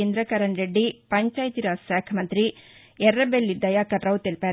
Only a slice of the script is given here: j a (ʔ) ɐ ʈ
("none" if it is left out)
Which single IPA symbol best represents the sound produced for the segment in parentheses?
k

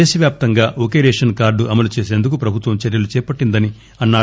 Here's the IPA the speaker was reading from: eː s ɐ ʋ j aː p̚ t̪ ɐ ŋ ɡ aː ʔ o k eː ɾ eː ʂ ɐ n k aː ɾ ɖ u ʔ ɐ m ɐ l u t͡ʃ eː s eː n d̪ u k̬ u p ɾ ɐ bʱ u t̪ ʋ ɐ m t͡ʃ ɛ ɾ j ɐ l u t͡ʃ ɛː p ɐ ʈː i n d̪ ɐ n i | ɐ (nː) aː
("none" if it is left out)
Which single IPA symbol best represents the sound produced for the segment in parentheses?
nː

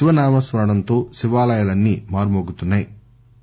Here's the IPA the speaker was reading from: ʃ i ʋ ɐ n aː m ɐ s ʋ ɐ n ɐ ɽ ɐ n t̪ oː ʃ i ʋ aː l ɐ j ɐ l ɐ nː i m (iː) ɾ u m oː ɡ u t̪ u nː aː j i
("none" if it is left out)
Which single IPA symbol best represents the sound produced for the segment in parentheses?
aː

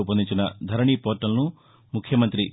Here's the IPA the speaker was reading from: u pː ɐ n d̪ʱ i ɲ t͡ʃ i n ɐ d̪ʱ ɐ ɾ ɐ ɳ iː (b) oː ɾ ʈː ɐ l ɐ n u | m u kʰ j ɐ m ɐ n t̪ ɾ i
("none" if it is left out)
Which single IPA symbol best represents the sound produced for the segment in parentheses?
p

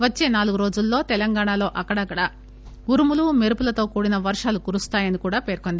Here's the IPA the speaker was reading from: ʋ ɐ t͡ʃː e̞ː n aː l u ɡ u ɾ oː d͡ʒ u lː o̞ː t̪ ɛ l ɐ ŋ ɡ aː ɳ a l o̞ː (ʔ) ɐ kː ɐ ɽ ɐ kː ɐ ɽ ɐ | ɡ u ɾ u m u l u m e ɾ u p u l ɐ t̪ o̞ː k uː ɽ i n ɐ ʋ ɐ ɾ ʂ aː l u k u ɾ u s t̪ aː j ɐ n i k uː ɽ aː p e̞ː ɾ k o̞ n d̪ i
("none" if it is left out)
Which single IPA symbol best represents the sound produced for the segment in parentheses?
ʔ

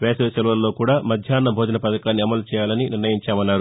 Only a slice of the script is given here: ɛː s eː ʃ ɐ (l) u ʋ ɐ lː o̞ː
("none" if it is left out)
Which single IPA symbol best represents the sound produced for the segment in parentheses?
l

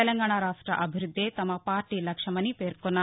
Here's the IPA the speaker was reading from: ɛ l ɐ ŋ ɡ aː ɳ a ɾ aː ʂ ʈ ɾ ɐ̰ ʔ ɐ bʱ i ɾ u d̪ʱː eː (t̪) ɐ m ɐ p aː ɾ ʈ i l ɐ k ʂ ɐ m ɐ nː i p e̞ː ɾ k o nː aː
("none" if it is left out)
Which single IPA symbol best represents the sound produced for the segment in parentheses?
t̪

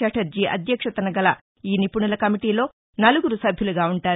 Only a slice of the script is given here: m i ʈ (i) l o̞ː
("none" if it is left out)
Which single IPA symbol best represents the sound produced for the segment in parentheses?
iː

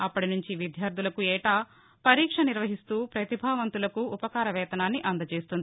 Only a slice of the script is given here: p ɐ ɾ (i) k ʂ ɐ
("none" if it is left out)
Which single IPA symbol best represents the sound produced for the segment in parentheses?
iː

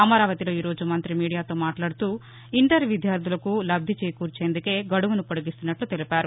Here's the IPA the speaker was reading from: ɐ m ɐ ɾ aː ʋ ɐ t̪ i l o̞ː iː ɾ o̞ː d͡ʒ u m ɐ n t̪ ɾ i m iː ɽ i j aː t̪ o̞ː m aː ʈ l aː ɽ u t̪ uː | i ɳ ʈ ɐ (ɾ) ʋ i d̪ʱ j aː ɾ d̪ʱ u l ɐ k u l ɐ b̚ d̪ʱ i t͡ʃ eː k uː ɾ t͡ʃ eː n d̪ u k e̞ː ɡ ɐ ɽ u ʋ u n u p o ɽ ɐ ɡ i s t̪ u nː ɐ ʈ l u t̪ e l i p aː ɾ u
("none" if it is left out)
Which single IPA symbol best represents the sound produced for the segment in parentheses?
ɾ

